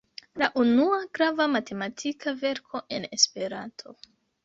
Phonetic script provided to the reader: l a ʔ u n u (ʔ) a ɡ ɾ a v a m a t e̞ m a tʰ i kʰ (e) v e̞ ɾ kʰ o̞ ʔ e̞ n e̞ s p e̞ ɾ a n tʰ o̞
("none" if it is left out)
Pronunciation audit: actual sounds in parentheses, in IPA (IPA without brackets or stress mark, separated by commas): none, a